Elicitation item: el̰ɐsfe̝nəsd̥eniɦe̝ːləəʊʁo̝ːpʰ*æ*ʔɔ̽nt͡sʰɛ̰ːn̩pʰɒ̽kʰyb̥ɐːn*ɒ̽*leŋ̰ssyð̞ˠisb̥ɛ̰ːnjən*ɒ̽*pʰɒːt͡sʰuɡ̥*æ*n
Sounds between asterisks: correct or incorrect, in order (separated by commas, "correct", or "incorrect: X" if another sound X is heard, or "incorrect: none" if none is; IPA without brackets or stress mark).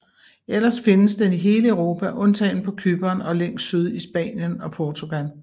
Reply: correct, correct, correct, correct